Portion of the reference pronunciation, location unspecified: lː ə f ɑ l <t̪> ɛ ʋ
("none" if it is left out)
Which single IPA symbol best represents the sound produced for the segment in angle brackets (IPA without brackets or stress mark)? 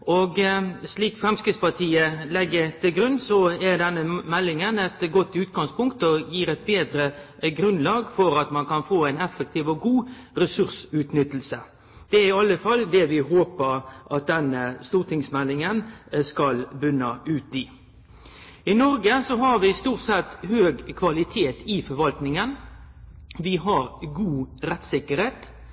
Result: d̪